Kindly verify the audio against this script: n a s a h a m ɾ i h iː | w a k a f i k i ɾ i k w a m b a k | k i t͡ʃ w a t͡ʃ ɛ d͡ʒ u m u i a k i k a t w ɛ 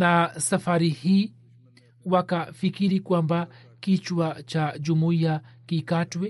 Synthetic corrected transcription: n a s a f a ɾ i h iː | w a k a f i k i ɾ i k w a m b a | k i t͡ʃ w a t͡ʃ a d͡ʒ u m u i a k i k a t w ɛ